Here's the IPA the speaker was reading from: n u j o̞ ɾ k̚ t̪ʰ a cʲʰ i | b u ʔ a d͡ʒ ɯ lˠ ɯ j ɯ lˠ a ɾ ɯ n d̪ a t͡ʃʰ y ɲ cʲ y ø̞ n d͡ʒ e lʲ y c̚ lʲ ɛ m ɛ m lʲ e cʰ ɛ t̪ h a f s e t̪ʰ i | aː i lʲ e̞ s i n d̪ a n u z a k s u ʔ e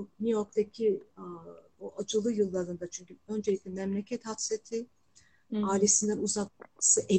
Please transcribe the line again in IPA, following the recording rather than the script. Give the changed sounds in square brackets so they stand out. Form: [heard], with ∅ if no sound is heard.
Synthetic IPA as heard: n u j o̞ ɾ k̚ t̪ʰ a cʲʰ i | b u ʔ a d͡ʒ ɯ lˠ ɯ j ɯ [lˠː] a ɾ ɯ n d̪ a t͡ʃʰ y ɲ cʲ y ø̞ n d͡ʒ e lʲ [i] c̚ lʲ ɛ m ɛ m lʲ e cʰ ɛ t̪ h a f s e t̪ʰ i | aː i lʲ e̞ s i n d̪ [æ] n u z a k s [ɯ] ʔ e